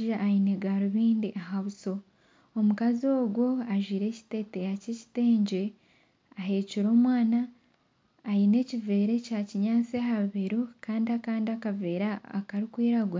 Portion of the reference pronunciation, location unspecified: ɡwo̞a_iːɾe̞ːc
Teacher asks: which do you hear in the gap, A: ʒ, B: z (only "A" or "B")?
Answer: A